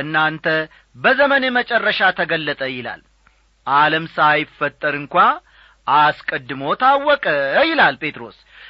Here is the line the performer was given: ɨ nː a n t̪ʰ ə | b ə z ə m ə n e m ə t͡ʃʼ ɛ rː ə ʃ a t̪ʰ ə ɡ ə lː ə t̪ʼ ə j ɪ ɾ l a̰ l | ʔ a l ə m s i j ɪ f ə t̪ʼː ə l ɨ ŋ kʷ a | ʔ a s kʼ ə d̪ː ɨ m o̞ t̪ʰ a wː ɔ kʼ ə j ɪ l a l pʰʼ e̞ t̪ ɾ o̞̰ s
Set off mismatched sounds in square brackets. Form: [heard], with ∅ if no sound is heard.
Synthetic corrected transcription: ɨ nː a n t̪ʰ ə | b ə z ə m ə n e m ə t͡ʃʼ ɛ rː ə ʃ a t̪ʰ ə ɡ ə lː ə t̪ʼ ə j ɪ [∅] l a̰ l | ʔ a l ə m s [a] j ɪ f ə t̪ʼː ə [ɾ] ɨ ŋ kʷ a | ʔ a s kʼ ə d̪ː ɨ m o̞ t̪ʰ a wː ɔ kʼ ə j ɪ l a l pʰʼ e̞ t̪ ɾ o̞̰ s